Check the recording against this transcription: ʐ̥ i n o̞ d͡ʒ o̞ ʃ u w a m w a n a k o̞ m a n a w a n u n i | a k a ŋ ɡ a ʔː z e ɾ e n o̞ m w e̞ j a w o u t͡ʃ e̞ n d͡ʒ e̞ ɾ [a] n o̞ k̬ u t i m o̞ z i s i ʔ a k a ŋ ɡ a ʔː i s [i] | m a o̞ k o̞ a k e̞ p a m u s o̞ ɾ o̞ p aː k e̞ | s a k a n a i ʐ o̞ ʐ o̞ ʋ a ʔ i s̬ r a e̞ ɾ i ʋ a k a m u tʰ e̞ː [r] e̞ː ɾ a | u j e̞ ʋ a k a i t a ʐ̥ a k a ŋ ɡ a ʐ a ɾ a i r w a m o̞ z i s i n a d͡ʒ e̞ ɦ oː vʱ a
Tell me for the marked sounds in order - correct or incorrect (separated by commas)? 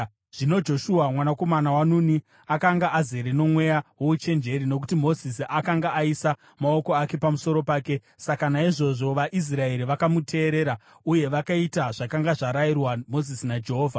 incorrect, incorrect, incorrect